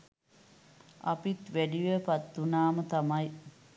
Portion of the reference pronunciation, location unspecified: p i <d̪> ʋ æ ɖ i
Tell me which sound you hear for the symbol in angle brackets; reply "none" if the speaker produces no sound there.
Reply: t̪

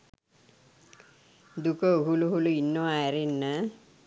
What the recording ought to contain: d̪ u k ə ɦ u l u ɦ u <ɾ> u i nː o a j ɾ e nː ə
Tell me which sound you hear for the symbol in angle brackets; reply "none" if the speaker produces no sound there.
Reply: l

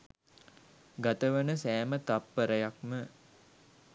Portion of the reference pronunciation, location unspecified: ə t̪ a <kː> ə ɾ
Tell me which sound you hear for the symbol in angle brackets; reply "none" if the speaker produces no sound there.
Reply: pː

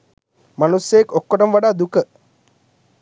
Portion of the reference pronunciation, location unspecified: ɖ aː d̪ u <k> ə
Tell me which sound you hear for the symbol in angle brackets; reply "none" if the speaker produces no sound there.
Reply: k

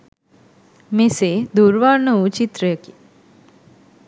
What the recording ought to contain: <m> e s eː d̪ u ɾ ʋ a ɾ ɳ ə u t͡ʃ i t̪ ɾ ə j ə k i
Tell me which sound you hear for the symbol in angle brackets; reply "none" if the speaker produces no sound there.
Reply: m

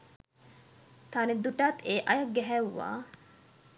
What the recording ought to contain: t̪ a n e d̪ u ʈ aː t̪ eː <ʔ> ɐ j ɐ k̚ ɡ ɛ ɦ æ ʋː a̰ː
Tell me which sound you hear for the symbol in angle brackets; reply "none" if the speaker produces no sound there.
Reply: ʔ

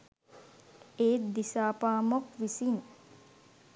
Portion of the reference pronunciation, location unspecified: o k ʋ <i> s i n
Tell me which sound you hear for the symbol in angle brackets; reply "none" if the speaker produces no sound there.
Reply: i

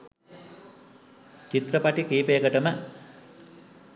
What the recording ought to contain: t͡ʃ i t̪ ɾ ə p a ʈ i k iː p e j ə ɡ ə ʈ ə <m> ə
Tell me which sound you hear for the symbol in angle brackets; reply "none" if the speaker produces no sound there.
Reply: m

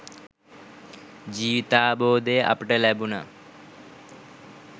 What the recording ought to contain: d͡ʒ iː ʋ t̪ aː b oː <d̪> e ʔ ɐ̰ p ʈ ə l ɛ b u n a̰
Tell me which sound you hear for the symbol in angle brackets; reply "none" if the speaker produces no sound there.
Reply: d̪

